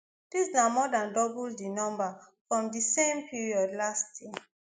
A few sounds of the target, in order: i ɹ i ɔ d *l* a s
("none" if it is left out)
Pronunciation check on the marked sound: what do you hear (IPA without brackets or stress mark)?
l